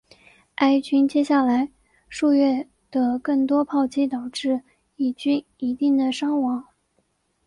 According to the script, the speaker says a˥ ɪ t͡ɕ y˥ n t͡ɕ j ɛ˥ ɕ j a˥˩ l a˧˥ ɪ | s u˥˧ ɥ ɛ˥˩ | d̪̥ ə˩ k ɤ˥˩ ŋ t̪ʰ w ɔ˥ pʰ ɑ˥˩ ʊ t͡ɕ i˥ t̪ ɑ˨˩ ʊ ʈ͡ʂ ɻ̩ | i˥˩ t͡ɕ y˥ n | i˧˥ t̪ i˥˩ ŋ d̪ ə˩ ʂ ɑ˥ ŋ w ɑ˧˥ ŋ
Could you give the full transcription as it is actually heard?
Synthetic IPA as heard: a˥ ɪ t͡ɕ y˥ n t͡ɕ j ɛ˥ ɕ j a˥˩ l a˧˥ ɪ | ʂ u˥˧ ɥ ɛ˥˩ | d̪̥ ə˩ k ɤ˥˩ ŋ t̪ w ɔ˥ pʰ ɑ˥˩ ʊ t͡ɕ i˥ t̪ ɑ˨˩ ʊ ʈ͡ʂ ɻ̩ | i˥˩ t͡ɕ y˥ n | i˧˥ t̪ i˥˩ ŋ d̪ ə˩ ʂ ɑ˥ ŋ w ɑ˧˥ ŋ